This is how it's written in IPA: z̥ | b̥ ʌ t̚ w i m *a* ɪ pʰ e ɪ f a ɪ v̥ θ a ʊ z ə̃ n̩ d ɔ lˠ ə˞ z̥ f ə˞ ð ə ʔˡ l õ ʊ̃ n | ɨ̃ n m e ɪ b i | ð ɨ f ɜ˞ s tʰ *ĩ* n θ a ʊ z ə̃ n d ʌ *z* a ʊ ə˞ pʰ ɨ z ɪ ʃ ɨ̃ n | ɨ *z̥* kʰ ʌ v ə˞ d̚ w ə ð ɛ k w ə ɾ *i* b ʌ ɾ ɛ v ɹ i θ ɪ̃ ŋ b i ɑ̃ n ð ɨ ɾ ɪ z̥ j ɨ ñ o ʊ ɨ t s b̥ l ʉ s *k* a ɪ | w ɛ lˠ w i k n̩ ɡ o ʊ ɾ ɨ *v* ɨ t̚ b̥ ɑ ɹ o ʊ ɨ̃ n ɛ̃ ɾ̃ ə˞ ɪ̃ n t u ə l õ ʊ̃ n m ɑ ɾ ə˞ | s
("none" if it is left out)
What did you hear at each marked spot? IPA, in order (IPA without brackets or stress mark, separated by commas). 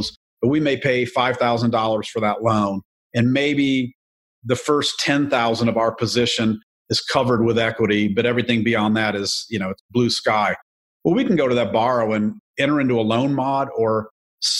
e, ɛ̃, v, z̥, i, k, ð